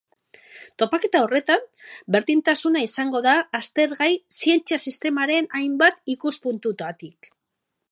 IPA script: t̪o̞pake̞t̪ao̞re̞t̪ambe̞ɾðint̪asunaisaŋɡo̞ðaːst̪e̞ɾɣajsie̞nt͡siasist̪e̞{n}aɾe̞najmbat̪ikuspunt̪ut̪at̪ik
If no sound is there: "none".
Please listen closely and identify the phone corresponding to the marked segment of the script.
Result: m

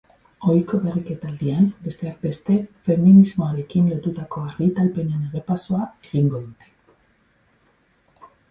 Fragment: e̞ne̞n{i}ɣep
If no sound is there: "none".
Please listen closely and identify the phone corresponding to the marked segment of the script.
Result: e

